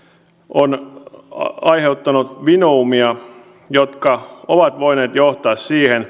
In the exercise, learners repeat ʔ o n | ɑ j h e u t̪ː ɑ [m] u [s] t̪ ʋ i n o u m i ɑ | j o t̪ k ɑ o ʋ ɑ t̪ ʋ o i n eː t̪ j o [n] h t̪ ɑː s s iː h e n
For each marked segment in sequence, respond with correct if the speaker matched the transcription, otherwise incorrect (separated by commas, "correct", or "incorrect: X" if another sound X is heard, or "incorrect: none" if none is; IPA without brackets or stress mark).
incorrect: n, incorrect: none, incorrect: none